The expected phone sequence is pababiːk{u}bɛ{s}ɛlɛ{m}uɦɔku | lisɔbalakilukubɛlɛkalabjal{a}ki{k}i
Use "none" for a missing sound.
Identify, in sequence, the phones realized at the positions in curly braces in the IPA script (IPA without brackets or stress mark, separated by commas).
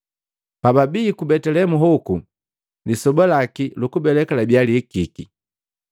u, t, m, i, k